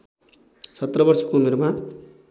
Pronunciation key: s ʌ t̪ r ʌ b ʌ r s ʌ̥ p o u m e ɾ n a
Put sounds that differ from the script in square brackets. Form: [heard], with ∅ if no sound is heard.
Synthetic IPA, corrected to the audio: s ʌ t̪ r ʌ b ʌ r s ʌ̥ [k] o u m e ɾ [m] a